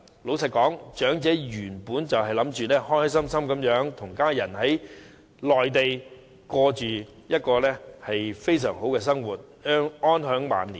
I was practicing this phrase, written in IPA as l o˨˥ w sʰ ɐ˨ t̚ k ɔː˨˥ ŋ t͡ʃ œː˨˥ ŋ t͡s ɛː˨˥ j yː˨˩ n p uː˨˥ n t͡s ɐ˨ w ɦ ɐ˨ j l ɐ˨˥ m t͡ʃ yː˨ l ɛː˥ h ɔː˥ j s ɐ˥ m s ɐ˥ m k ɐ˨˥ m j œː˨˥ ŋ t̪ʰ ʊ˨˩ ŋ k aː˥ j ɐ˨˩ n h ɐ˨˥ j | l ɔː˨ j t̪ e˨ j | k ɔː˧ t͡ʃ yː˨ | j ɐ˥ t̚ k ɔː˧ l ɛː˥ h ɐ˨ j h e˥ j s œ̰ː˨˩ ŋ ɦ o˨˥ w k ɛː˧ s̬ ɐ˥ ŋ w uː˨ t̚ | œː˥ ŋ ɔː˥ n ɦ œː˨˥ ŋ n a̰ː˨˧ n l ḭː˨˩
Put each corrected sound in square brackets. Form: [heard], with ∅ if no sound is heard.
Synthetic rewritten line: l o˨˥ w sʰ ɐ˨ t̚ k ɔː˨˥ ŋ t͡ʃ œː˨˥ ŋ t͡s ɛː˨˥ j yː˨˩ n p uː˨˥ n t͡s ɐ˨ w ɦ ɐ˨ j l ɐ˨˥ m t͡ʃ yː˨ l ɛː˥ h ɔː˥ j s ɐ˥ m s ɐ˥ m k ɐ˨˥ m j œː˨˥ ŋ t̪ʰ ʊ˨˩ ŋ k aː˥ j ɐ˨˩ n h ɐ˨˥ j | l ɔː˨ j t̪ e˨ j | k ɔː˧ t͡ʃ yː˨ | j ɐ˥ t̚ k ɔː˧ l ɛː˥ h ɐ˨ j [f] e˥ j s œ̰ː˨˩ ŋ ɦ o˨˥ w k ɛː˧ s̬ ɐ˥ ŋ w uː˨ t̚ | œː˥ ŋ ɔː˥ n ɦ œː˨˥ ŋ [m] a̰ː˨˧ n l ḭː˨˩

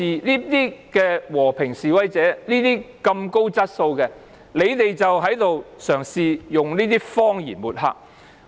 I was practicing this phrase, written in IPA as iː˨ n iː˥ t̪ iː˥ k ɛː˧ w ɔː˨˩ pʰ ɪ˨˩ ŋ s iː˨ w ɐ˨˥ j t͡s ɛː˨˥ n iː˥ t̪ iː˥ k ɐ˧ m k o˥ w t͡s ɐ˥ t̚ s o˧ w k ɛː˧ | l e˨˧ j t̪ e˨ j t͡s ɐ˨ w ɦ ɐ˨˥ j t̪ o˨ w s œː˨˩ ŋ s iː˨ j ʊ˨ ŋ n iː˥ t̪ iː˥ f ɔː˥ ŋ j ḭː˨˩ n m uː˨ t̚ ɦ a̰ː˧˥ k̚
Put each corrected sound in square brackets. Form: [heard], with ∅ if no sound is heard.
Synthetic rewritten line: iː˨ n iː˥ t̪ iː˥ k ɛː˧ w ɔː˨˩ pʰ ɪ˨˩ ŋ s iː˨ w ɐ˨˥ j t͡s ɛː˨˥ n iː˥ t̪ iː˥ k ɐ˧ m k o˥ w t͡s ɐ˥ t̚ s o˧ w k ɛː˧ | l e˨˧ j t̪ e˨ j t͡s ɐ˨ w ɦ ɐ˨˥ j t̪ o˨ w s œː˨˩ ŋ s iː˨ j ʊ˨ ŋ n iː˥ t̪ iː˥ f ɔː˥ ŋ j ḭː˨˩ n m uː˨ t̚ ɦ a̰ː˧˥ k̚

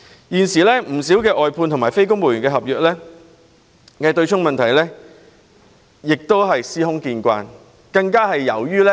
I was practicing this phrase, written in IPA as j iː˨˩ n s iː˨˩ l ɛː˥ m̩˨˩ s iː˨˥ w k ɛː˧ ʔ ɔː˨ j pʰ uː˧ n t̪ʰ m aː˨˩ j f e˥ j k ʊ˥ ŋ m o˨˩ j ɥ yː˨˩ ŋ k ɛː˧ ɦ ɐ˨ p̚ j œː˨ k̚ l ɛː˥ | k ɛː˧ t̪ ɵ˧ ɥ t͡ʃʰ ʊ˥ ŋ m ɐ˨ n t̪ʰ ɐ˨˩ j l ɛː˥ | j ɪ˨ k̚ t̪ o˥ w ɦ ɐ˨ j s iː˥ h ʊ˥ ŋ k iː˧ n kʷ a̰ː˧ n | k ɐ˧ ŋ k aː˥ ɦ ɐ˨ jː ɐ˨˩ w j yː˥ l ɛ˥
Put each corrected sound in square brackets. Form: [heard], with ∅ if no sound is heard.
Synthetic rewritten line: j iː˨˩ n s iː˨˩ l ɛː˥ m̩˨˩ s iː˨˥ w k ɛː˧ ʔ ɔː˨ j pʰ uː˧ n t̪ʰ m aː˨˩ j f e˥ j k ʊ˥ ŋ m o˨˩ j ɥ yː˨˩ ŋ k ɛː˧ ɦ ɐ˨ p̚ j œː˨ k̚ l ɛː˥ | k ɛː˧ t̪ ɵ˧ ɥ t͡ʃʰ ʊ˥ ŋ m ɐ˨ n t̪ʰ ɐ˨˩ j l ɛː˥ | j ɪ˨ k̚ t̪ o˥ w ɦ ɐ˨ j s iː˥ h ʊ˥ ŋ k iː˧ n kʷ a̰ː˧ n | k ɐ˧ ŋ k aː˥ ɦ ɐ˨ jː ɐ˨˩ w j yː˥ l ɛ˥

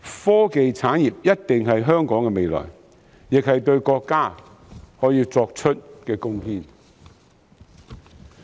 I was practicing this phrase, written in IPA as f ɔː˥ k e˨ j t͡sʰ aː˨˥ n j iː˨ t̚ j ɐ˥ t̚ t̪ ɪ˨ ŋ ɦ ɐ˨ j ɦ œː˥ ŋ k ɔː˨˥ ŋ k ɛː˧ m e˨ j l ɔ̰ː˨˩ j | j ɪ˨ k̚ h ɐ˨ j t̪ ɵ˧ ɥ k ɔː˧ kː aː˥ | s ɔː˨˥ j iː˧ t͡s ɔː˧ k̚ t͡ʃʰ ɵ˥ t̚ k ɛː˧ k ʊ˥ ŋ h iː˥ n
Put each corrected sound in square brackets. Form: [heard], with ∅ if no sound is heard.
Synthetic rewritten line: f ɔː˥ k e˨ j t͡sʰ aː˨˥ n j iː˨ [p̚] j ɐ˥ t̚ t̪ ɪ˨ ŋ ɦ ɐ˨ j ɦ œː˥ ŋ k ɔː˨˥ ŋ k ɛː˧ m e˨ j l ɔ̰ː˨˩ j | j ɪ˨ k̚ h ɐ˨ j t̪ ɵ˧ ɥ k ɔː˧ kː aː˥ | [h] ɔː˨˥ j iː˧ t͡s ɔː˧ k̚ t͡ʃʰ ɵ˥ t̚ k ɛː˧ k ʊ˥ ŋ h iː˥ n

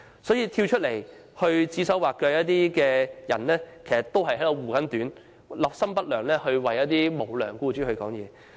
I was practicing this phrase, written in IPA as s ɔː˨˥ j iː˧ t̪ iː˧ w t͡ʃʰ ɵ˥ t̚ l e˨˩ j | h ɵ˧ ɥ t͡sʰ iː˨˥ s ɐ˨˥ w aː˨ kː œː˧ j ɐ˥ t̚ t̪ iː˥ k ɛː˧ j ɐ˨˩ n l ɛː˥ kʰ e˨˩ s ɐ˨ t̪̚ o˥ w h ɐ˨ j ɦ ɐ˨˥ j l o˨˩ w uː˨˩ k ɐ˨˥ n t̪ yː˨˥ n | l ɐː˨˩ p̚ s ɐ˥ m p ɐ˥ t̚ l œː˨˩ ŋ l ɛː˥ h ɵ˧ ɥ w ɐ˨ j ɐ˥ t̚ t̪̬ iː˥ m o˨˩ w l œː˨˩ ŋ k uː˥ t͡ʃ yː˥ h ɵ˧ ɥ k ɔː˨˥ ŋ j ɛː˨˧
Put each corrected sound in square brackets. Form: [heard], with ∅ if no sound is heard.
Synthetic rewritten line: s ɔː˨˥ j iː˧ [t̪ʰ] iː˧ w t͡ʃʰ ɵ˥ t̚ l e˨˩ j | h ɵ˧ ɥ [t͡s] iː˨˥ s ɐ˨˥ w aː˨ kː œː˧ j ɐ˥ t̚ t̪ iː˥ k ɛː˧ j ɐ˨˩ n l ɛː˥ kʰ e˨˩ s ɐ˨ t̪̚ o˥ w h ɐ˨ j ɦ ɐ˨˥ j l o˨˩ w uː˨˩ k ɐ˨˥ n t̪ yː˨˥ n | l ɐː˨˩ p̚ s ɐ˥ m p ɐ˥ t̚ l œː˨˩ ŋ l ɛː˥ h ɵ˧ ɥ w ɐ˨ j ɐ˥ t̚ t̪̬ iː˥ m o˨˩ w l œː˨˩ ŋ k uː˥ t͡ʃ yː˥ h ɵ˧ ɥ k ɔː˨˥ ŋ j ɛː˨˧

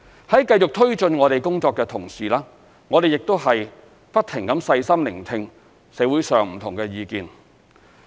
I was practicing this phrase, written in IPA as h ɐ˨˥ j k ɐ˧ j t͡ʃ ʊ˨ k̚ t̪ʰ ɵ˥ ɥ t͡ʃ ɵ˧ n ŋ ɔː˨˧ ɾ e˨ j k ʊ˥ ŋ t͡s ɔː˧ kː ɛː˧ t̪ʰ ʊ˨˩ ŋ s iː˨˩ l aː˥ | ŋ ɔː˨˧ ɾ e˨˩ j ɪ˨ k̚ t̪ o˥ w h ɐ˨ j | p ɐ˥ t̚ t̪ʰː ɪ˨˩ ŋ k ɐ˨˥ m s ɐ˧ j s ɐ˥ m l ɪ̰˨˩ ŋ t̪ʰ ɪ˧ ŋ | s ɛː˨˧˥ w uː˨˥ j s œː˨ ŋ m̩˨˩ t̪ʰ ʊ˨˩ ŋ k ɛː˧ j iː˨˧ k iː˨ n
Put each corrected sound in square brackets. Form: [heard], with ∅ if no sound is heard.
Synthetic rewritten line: h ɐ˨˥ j k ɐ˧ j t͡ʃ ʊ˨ k̚ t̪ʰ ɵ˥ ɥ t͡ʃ ɵ˧ n ŋ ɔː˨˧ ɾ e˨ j k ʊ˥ ŋ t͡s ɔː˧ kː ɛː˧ t̪ʰ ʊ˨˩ ŋ s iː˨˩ l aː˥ | ŋ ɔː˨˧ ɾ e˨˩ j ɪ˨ k̚ t̪ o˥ w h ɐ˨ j | p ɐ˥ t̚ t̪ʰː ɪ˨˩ ŋ k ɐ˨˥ m s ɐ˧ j s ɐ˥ m l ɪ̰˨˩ ŋ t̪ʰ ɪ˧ ŋ | s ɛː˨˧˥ w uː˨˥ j s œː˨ ŋ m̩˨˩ t̪ʰ ʊ˨˩ ŋ k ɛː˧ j iː˨˧ k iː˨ n

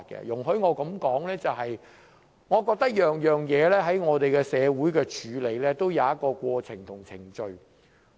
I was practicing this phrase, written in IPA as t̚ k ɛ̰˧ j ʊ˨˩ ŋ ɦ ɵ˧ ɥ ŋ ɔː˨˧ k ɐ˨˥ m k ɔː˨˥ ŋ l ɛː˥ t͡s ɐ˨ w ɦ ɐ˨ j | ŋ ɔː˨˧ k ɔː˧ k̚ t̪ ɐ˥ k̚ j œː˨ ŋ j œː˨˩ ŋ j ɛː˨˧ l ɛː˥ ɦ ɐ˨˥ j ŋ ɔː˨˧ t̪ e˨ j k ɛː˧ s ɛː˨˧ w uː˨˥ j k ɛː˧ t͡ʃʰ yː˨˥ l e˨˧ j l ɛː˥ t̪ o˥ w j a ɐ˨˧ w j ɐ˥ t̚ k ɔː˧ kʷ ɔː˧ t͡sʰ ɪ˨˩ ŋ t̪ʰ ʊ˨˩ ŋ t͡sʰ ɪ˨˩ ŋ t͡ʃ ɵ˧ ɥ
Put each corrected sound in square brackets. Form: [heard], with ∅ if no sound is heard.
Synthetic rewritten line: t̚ k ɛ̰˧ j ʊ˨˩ ŋ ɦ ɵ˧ ɥ ŋ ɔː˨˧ k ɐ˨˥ m k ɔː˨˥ ŋ l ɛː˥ t͡s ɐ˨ w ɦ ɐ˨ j | ŋ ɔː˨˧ k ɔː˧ k̚ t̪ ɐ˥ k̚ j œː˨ ŋ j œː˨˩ ŋ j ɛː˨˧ l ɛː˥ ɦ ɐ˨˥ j ŋ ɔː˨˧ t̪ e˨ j k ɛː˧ s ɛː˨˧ w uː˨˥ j k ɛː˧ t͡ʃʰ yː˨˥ l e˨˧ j l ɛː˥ t̪ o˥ w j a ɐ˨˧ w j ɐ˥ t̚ k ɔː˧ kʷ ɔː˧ t͡sʰ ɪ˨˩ ŋ t̪ʰ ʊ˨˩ ŋ t͡sʰ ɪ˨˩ ŋ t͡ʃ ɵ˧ ɥ

